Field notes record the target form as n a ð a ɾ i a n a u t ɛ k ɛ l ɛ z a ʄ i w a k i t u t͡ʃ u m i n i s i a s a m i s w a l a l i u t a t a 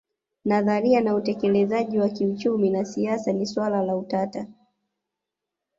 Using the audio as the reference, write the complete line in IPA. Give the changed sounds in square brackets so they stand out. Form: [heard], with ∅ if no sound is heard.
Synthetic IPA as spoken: n a ð a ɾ i a n a u t ɛ k ɛ l ɛ z a ʄ i w a k i [∅] u t͡ʃ u m i n [a] s i a s a [n] i s w a l a l [a] u t a t a